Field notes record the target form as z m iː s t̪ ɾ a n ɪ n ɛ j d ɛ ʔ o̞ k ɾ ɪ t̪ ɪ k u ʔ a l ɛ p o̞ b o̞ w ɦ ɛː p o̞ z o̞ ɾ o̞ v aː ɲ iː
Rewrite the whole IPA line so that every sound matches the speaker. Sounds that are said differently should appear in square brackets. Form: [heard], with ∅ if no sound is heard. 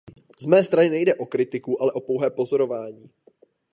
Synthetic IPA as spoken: z m [ɛː] s t̪ ɾ a n ɪ n ɛ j d ɛ ʔ o̞ k ɾ ɪ t̪ ɪ k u ʔ a l ɛ [ʔ] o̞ [p] o̞ w ɦ ɛː p o̞ z o̞ ɾ o̞ v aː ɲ iː